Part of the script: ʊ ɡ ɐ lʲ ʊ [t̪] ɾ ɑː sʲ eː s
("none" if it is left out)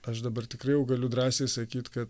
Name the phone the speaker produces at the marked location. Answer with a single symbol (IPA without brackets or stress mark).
d̪